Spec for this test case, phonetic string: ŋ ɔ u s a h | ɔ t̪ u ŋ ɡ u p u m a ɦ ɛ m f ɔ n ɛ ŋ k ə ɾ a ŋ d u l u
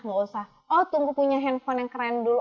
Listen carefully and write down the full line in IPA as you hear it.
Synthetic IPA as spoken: ŋ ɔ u s a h | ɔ t̪ u ŋ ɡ u p u ɲ a ɦ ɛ n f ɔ n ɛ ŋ k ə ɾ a n d u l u